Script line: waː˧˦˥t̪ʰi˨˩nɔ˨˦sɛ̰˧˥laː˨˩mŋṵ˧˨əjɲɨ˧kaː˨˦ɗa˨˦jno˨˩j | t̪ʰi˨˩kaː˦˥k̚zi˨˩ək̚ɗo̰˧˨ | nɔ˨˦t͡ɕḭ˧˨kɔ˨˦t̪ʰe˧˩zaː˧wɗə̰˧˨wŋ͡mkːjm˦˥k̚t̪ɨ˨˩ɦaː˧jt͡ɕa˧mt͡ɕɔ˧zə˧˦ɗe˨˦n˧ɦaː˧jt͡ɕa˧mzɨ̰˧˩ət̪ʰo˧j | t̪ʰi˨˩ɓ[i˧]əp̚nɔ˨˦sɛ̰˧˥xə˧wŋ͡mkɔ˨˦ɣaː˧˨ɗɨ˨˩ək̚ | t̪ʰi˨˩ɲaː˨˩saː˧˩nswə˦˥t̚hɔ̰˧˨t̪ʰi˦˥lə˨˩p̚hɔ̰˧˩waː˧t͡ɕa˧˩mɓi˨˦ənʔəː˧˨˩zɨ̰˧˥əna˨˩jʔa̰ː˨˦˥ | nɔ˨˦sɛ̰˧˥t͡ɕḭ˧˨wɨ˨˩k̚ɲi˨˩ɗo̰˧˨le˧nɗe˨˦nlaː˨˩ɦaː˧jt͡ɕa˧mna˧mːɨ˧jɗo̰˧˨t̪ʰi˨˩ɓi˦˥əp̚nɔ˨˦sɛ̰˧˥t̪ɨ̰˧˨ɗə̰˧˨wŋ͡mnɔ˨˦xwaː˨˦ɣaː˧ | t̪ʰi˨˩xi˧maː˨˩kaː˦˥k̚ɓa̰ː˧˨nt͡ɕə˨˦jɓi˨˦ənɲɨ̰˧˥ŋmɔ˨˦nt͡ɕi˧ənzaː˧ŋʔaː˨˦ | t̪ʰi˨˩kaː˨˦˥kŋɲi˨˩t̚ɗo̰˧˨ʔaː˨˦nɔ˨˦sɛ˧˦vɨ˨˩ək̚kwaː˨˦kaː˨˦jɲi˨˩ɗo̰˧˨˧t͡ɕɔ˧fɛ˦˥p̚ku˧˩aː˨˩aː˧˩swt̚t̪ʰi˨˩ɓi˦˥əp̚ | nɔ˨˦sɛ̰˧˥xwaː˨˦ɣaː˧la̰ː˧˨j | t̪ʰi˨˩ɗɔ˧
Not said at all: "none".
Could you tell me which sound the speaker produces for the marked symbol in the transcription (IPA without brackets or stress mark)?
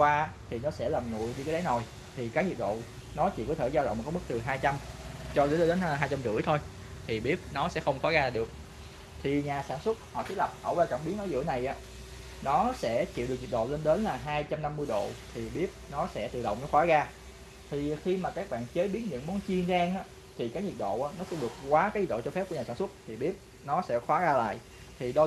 i˦˥